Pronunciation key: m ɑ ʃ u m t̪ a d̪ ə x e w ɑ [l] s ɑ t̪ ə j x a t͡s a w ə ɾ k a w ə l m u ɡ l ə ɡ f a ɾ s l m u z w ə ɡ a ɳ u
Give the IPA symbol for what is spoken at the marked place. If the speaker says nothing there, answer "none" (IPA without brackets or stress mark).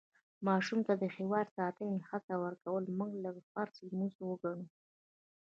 ɾ